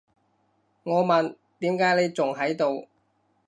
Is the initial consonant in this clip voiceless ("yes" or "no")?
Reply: no